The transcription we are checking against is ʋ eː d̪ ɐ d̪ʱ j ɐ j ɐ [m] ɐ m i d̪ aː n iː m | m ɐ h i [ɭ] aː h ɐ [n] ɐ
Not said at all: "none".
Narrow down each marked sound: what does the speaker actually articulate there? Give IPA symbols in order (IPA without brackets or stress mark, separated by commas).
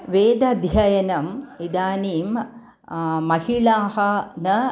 n, ɭ, n